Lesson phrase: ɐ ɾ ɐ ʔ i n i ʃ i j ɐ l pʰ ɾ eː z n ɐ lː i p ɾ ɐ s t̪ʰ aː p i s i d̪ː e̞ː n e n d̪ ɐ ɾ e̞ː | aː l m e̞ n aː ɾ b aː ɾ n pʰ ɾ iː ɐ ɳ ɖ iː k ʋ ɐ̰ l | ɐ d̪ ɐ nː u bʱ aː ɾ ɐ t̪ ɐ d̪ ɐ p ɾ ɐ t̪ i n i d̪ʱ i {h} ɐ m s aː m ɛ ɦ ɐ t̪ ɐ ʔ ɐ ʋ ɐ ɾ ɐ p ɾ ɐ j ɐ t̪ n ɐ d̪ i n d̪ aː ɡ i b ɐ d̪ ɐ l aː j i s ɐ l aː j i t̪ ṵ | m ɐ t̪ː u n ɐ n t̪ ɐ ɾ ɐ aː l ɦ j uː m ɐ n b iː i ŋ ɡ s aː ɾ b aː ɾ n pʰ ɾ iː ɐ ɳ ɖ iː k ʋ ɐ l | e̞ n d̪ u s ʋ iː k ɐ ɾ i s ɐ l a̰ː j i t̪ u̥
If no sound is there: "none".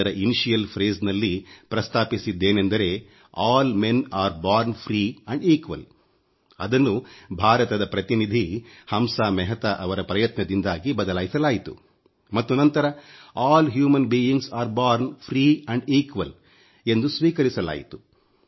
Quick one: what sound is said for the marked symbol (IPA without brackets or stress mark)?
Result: h